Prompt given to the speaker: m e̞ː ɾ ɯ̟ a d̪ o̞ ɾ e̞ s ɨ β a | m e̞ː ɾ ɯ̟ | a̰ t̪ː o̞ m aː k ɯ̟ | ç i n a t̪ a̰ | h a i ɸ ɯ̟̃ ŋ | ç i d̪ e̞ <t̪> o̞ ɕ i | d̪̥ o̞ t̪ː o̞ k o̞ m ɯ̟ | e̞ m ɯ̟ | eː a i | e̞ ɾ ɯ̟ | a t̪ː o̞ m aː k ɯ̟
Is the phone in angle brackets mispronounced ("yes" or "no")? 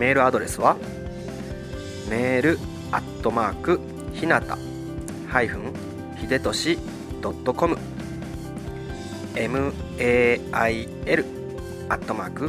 no